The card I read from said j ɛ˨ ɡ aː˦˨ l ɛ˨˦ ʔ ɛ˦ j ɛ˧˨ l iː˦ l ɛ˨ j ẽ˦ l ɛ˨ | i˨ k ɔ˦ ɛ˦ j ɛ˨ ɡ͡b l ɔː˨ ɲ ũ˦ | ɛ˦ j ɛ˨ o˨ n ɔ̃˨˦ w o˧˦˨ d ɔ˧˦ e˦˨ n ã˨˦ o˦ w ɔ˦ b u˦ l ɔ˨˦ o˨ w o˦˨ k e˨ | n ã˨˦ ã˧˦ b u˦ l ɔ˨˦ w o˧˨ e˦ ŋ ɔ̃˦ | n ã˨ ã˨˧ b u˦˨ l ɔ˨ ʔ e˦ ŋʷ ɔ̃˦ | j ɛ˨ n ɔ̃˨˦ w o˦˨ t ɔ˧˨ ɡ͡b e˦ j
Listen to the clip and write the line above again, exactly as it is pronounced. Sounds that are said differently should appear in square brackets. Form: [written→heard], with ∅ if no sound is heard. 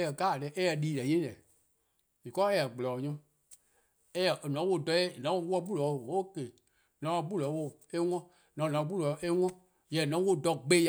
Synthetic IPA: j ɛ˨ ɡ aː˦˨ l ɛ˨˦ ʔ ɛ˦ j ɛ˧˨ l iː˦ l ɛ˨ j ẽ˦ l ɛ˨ | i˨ k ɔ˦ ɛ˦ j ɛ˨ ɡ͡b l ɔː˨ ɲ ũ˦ | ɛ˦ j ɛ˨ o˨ n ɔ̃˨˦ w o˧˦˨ d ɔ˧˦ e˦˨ n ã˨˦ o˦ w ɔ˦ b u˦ l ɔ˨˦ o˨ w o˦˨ k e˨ | n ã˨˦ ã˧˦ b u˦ l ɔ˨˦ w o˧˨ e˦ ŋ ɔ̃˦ | n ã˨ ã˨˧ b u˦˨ l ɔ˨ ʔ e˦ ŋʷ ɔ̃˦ | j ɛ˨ n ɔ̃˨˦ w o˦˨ [t→d] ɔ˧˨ ɡ͡b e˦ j